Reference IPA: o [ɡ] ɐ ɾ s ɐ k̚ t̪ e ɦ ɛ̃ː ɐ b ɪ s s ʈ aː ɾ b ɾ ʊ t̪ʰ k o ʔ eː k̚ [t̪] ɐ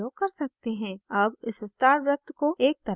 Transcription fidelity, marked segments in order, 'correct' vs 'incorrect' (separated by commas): incorrect, correct